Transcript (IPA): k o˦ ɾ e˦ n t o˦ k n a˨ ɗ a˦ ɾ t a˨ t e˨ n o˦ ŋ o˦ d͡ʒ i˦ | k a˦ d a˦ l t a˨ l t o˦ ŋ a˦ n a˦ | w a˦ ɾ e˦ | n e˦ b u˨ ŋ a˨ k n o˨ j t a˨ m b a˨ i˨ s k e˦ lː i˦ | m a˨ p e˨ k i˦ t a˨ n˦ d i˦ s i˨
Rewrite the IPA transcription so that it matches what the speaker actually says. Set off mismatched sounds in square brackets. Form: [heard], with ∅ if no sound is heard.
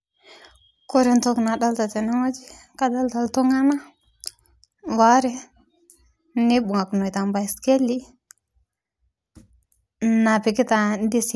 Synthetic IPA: k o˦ ɾ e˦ n t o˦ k n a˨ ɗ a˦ [l] t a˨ t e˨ n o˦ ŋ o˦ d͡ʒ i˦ | k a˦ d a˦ l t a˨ l t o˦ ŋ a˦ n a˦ | w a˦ ɾ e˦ | n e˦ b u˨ ŋ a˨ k n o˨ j t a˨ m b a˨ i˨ s k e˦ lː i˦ | [n] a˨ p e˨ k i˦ t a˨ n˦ d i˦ s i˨

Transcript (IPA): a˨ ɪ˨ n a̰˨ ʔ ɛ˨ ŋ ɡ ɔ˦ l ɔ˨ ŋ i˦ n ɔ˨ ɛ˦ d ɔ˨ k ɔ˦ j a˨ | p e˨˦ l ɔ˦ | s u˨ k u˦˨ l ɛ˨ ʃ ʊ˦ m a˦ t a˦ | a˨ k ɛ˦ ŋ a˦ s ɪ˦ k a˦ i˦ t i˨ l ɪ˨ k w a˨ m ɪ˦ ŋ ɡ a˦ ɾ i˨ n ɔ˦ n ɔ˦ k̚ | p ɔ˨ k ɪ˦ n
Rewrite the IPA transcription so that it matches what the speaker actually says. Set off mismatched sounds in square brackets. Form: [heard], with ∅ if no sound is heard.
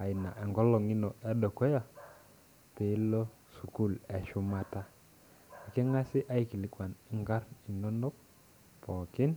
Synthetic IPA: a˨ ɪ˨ n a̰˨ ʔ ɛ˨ ŋ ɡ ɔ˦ l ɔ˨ ŋ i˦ n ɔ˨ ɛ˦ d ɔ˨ k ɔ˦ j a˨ | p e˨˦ l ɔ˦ | s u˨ k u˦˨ l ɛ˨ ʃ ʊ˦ m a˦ t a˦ | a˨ k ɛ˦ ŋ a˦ s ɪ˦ [ʔ] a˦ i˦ [k] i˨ l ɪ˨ k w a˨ [n] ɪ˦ ŋ ɡ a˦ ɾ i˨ n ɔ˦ n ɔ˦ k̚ | p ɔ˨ k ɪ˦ n

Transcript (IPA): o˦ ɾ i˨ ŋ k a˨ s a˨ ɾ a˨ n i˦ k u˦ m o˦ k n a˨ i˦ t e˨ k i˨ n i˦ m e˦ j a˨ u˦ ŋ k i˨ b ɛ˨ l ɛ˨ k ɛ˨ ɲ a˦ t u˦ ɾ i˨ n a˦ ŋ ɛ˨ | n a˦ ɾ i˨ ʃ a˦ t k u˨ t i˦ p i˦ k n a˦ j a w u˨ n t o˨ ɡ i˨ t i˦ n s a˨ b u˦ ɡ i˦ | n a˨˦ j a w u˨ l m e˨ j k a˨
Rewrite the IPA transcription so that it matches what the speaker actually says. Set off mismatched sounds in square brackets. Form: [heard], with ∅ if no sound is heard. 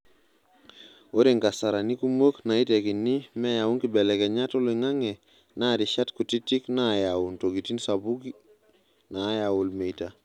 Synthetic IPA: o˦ ɾ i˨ ŋ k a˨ s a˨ ɾ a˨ n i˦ k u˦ m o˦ k n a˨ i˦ t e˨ k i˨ n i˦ m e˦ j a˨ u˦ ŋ k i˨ b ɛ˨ l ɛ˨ k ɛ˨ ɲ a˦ t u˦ [l] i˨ [ŋ] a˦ ŋ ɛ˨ | n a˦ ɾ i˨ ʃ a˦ t k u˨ t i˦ [t] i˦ k n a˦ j a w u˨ n t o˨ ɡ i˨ t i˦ n s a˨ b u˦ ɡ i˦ | n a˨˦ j a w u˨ l m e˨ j [t] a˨

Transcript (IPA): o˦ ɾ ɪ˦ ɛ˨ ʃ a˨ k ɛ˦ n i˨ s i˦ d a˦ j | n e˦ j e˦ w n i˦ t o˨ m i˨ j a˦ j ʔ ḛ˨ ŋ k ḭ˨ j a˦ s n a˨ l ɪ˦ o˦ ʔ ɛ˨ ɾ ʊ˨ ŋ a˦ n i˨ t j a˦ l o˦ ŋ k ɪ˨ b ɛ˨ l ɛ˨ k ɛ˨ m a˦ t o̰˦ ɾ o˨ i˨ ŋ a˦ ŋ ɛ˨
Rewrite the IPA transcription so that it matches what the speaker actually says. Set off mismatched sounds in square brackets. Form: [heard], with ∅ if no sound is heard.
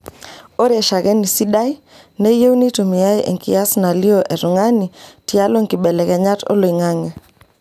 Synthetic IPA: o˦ ɾ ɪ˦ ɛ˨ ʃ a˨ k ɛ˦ n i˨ s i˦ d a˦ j | n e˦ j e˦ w n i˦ t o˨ m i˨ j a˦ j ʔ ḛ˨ ŋ k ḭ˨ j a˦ s n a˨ l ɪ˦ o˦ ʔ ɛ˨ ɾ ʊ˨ ŋ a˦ n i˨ t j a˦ l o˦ ŋ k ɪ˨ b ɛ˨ l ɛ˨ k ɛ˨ [ɲ] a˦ t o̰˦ [l] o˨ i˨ ŋ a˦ ŋ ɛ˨

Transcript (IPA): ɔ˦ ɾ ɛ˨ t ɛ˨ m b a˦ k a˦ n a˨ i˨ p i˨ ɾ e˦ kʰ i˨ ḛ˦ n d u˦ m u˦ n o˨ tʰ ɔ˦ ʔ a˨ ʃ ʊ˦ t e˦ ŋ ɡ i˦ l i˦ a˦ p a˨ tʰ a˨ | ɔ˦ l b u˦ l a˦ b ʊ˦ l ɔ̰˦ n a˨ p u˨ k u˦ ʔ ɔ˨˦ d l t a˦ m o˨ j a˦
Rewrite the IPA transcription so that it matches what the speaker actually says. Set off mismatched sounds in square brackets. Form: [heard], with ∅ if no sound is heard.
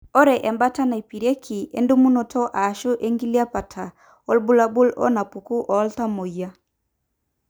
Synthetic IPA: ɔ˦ ɾ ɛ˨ [ʔ] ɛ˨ m b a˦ [t] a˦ n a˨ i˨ p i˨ ɾ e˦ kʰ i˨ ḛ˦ n d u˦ m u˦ n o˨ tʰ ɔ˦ ʔ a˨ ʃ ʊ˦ [ʔ] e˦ ŋ ɡ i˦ l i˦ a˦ p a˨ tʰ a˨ | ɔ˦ l b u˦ l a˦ b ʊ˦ l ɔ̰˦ n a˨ p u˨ k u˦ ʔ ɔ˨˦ [∅] l t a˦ m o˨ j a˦

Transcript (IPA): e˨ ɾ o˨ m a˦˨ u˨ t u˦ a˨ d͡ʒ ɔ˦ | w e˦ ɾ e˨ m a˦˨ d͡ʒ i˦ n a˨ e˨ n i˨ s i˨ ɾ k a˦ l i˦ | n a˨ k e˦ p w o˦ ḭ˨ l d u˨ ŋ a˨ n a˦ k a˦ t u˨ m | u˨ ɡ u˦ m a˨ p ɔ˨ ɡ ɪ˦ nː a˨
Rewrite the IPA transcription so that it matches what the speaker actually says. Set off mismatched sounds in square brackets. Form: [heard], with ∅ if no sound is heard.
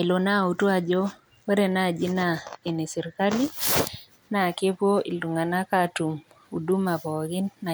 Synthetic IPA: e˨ [l] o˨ [n] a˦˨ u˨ t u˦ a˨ d͡ʒ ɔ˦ | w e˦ ɾ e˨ [n] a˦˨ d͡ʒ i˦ n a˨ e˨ n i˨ s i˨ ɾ k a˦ l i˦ | n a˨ k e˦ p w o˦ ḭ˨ l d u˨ ŋ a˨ n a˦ k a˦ t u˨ m | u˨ [d] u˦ m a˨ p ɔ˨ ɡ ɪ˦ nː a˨

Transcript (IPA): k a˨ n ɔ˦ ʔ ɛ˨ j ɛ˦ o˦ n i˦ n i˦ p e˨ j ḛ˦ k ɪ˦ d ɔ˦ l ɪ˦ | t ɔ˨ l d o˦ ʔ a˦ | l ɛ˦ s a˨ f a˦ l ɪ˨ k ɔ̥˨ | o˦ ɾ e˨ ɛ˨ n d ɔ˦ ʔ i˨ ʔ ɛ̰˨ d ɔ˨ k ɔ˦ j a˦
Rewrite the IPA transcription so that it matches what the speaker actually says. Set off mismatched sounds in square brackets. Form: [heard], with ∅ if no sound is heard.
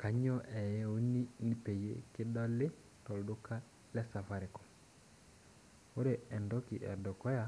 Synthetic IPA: k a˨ [ɲ] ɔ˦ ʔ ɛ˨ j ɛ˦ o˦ n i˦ n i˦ p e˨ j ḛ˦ k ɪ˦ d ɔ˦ l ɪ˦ | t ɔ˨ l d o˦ [k] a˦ | l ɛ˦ s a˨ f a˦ [ɾ] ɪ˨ k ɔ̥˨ | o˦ ɾ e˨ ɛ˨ n d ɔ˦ [k] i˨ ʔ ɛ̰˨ d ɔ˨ k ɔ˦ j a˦

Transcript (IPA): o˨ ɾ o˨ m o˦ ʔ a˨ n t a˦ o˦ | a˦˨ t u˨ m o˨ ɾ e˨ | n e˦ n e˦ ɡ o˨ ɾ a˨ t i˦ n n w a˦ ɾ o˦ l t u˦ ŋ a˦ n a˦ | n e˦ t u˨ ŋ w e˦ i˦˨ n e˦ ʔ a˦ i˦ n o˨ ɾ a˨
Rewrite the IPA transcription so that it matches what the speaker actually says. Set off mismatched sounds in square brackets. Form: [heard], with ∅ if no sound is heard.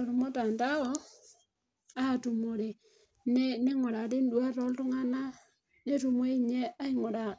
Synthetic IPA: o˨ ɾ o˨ m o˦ [t] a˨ n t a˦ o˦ | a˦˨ t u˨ m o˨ ɾ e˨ | n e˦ n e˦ [ŋ] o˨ ɾ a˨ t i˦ n [d] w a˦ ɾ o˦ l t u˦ ŋ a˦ n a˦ | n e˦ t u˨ [m] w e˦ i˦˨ [ɲ] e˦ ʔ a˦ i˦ [ŋ] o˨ ɾ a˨

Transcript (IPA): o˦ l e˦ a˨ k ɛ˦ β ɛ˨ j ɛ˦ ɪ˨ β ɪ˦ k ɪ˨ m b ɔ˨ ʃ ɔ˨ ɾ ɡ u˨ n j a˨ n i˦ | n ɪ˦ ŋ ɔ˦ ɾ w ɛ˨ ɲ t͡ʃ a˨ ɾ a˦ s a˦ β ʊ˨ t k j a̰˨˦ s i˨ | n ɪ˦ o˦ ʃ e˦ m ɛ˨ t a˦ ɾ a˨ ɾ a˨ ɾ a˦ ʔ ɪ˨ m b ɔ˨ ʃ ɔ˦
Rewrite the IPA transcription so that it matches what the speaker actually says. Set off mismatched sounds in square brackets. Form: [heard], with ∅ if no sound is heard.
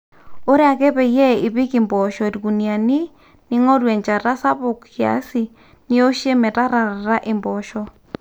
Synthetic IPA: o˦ [ɾ] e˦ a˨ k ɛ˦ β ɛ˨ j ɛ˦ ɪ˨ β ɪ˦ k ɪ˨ m b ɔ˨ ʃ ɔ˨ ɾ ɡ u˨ n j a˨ n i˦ | n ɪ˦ ŋ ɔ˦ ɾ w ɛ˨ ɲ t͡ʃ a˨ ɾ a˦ s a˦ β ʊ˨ [k] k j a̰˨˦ s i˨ | n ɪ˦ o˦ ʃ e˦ m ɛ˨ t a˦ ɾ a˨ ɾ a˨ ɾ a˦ ʔ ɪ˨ m b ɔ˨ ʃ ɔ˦

